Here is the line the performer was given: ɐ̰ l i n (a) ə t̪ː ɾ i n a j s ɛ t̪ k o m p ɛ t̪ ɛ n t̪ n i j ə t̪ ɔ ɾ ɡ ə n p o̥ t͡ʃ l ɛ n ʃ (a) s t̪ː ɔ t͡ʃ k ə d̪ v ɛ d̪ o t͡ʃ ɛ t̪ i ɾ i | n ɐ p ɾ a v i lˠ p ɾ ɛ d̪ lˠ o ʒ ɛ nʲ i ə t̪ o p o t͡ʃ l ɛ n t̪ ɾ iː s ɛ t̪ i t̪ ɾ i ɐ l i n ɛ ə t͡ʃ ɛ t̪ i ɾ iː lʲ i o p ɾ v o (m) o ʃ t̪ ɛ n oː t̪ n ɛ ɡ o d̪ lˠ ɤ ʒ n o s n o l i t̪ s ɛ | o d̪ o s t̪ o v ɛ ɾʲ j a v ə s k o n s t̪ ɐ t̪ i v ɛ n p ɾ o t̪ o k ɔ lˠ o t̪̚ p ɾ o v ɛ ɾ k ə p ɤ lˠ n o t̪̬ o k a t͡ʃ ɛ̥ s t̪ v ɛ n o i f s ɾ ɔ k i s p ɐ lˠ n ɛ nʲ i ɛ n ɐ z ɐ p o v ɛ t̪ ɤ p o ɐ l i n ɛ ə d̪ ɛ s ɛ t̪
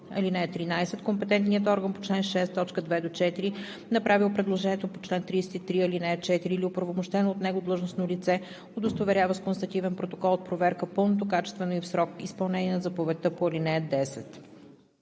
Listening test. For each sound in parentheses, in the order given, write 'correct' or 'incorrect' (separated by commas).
incorrect, incorrect, correct